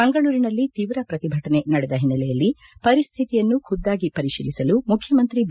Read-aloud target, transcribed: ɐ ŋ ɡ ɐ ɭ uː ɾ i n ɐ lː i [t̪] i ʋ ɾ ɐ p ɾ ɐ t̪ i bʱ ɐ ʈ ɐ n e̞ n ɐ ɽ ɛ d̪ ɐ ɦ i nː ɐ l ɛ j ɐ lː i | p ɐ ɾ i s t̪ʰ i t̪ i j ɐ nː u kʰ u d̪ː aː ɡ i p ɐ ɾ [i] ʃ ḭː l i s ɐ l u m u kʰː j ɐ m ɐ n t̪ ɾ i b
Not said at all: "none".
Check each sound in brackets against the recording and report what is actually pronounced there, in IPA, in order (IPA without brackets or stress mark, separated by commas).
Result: t̪, i